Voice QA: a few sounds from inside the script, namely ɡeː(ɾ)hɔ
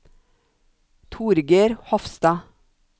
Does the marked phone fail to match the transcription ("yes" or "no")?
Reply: no